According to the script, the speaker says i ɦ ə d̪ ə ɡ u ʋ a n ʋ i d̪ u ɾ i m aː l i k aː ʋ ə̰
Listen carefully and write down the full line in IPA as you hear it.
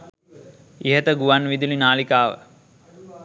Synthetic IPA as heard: i ɦ ə t̪ ə ɡ u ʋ a n ʋ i d̪ u l i n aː l i k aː ʋ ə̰